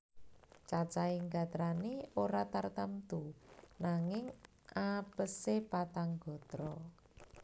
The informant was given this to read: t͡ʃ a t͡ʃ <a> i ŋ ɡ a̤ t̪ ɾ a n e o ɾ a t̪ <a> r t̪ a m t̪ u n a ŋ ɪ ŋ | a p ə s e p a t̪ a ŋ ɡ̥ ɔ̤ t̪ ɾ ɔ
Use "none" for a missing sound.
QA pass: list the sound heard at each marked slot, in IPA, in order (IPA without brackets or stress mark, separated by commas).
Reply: a, a